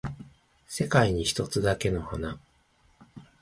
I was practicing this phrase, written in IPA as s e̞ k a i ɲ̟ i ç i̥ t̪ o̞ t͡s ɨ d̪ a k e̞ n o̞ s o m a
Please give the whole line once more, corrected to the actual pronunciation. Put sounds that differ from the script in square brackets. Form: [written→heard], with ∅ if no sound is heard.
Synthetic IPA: s e̞ k a i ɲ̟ i ç i̥ t̪ o̞ t͡s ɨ d̪ a k e̞ n o̞ [s→h] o [m→n] a